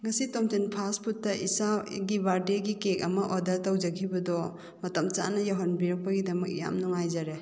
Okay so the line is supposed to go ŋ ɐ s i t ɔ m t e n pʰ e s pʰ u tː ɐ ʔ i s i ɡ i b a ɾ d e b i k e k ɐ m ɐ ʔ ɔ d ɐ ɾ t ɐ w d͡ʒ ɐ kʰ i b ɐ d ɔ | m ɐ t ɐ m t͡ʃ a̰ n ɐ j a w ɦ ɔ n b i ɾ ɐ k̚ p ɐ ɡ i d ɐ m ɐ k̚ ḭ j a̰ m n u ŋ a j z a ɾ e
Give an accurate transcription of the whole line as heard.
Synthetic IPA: ŋ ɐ s i t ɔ m t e n pʰ a s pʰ u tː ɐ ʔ i s a ɡ i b a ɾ d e ɡ i k e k ɐ m ɐ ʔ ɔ d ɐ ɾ t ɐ w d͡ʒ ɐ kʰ i b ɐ d ɔ | m ɐ t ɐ m t͡ʃ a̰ n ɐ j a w ɦ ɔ n b i ɾ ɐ k̚ p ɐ ɡ i d ɐ m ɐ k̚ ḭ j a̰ m n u ŋ a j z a ɾ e